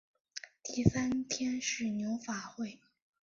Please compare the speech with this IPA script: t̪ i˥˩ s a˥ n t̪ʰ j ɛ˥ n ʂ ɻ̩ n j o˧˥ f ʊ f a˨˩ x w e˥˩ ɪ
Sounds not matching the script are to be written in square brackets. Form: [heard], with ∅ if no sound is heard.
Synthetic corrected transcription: t̪ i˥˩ s a˥ n t̪ʰ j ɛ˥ n ʂ ɻ̩ n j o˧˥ [∅] ʊ f a˨˩ x w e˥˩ ɪ